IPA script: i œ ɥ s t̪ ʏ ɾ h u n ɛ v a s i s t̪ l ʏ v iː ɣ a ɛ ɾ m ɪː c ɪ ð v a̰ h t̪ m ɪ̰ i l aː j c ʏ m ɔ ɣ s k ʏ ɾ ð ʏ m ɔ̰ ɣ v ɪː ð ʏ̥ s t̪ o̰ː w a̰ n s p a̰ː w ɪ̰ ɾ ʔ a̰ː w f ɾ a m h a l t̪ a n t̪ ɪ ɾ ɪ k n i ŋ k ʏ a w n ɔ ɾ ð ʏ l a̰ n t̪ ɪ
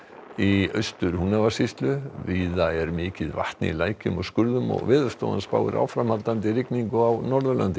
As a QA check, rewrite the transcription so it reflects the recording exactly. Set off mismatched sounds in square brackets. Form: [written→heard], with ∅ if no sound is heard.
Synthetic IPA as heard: i œ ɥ s t̪ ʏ ɾ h u n [ɛ→a] v a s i s t̪ l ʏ v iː [ɣ→ð] a ɛ ɾ m ɪː c ɪ ð v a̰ h t̪ [m→n] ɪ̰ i l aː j c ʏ m ɔ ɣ s k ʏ ɾ ð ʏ m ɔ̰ ɣ v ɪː ð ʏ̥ s t̪ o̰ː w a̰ n s p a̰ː w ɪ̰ ɾ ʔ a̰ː w f ɾ a m h a l t̪ a n t̪ ɪ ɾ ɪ k n i ŋ k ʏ a w n ɔ ɾ ð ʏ l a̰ n t̪ ɪ